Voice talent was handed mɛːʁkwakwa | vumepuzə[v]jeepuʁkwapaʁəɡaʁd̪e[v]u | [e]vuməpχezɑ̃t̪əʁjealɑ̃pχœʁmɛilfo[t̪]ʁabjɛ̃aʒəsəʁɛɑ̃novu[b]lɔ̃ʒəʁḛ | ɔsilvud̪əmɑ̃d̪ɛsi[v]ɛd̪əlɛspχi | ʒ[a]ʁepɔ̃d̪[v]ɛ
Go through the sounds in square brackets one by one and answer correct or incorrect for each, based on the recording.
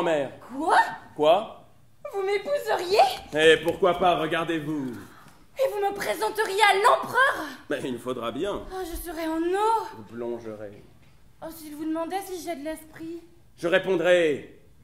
incorrect: ʁ, correct, correct, incorrect: d̪, incorrect: p, incorrect: ʒ, incorrect: ə, incorrect: ʁ

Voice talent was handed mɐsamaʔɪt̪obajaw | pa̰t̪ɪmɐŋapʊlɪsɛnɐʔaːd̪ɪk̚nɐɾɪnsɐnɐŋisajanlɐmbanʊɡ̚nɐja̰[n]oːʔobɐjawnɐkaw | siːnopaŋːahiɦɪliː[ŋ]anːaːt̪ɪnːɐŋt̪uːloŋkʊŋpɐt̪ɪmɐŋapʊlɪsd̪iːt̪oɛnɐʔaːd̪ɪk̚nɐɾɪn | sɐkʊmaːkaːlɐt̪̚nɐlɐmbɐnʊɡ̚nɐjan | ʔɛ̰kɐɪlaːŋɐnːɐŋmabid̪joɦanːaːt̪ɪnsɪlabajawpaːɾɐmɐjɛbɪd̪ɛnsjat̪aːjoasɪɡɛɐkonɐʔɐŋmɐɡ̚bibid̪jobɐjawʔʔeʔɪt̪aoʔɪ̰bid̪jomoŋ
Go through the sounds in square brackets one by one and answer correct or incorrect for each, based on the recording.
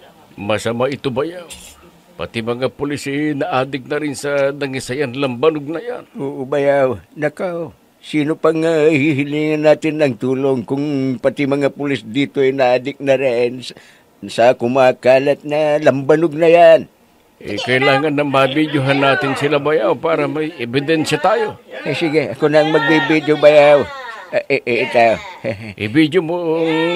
correct, correct

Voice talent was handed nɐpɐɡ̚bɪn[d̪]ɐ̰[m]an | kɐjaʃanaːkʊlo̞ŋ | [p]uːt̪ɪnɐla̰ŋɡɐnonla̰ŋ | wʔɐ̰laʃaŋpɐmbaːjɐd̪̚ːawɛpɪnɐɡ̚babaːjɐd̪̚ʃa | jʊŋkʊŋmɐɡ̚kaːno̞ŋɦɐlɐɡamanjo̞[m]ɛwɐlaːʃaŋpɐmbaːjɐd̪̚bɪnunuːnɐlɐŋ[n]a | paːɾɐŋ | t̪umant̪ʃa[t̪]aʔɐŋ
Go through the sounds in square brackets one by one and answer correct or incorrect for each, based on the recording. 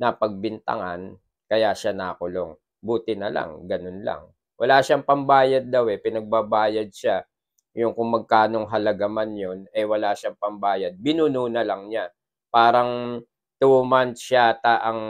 incorrect: t̪, incorrect: ŋ, incorrect: b, incorrect: n, incorrect: ɲ, correct

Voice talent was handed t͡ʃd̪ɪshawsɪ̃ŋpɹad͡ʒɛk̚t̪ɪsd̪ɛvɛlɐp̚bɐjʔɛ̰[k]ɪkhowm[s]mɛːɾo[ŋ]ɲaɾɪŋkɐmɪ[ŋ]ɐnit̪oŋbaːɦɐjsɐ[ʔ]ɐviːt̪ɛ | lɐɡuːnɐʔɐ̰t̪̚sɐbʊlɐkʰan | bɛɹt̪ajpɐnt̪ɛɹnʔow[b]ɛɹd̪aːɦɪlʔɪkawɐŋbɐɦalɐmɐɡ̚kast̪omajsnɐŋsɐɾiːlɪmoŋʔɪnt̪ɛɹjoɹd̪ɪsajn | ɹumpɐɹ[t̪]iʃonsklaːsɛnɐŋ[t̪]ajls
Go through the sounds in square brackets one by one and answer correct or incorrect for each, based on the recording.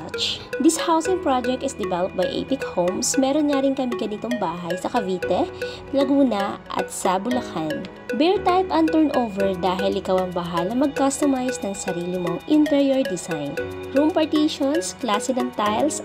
incorrect: p, correct, incorrect: n, incorrect: ɡ, incorrect: k, incorrect: v, correct, correct

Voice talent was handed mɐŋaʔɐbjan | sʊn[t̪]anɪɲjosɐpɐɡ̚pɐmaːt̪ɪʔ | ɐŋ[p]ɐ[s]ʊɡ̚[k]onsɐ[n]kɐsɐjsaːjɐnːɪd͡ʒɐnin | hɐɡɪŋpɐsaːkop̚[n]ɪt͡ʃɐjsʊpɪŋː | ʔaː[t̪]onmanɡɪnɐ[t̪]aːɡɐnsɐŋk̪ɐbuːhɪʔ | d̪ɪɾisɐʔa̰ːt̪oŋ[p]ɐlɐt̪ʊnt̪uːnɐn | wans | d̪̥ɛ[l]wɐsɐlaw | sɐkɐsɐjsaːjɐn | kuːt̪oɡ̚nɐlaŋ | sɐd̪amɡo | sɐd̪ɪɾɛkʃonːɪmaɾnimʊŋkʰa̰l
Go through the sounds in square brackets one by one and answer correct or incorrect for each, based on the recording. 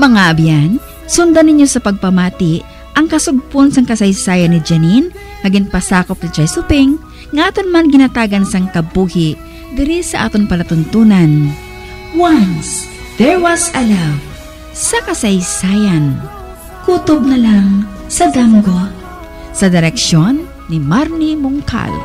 incorrect: d̪, incorrect: k, correct, incorrect: p, incorrect: ŋ, correct, correct, correct, correct, incorrect: ɹ

